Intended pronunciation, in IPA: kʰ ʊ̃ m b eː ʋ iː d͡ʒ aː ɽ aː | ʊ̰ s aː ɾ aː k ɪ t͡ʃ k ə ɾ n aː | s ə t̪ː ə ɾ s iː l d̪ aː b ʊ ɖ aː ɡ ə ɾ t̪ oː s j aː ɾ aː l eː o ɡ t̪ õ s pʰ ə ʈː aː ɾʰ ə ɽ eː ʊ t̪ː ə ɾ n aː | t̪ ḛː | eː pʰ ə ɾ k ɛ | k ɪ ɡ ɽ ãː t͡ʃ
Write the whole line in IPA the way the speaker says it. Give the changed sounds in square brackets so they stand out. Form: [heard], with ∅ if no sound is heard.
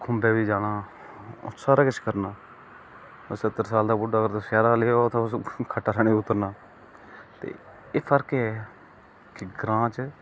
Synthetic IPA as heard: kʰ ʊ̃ m b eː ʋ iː d͡ʒ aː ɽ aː | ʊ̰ s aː ɾ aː k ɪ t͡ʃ k ə ɾ n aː | s ə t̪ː ə ɾ s [aː] l d̪ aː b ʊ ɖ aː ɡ ə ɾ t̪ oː s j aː ɾ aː l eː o [∅] t̪ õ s [kʰ] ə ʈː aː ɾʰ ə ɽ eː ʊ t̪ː ə ɾ n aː | t̪ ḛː | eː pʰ ə ɾ k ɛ | k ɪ ɡ [ɾ] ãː t͡ʃ